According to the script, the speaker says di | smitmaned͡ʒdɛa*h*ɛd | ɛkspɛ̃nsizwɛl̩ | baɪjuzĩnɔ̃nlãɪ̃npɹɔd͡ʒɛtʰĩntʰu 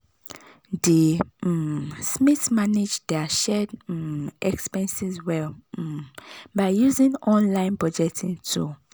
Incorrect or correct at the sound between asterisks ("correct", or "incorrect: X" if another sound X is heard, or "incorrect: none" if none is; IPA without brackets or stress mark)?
incorrect: ʃ